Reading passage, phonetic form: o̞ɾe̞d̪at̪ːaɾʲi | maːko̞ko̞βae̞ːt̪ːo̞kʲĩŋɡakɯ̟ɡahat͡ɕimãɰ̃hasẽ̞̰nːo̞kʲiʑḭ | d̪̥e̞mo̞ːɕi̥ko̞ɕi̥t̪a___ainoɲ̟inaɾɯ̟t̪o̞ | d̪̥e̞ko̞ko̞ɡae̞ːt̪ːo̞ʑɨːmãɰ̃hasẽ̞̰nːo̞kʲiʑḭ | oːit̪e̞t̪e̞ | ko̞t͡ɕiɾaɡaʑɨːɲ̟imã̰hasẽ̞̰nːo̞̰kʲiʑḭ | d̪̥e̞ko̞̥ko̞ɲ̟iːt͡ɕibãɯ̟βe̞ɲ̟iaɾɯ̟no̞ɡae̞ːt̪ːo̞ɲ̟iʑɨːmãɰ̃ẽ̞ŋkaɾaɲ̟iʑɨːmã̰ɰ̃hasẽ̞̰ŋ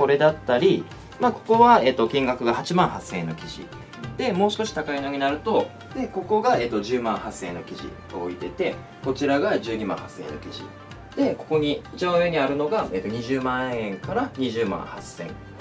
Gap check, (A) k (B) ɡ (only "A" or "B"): A